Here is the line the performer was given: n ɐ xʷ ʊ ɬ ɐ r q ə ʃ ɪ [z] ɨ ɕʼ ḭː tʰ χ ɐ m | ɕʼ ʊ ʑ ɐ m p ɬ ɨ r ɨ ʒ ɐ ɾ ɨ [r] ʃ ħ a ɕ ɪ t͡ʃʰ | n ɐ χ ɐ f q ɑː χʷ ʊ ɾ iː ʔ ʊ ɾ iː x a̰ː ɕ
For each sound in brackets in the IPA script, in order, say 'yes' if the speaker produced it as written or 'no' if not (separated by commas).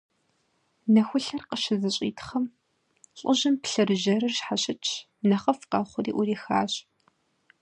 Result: yes, yes